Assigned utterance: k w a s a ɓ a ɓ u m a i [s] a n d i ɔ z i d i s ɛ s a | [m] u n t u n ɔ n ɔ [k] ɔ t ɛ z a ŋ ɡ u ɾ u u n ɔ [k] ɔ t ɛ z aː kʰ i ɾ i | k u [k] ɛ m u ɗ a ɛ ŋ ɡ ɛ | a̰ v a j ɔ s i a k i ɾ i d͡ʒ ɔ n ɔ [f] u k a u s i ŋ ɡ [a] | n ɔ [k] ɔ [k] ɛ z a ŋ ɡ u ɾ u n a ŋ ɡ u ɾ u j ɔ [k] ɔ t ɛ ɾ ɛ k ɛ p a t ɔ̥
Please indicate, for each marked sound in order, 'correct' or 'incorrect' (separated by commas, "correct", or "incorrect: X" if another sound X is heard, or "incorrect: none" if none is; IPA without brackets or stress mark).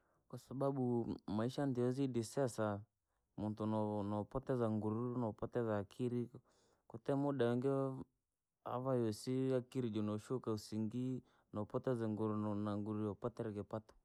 incorrect: ʃ, correct, incorrect: p, incorrect: p, incorrect: t, incorrect: ʃ, incorrect: i, incorrect: p, incorrect: t, incorrect: p